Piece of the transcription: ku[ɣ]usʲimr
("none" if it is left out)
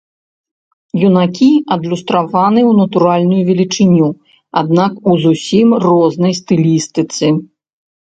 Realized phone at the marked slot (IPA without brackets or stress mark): z